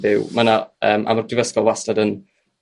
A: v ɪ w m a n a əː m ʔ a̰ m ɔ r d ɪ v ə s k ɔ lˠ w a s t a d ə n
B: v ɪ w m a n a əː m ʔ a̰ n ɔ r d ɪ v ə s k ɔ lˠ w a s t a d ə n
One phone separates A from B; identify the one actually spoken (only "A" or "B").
A